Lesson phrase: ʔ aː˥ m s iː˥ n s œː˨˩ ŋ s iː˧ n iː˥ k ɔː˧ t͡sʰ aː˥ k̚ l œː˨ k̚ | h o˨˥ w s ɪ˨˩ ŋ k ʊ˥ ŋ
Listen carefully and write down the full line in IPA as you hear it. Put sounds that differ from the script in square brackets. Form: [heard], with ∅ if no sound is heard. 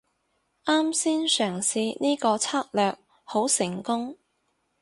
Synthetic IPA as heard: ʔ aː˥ m s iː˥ n s œː˨˩ ŋ s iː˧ n iː˥ k ɔː˧ t͡sʰ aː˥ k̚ l œː˨ k̚ | h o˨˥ w s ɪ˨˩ ŋ k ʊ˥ ŋ